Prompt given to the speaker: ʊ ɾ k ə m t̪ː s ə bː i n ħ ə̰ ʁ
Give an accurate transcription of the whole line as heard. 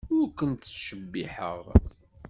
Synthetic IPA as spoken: ʊ ɾ k ə n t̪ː ʃ ə bː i ħ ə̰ ʁ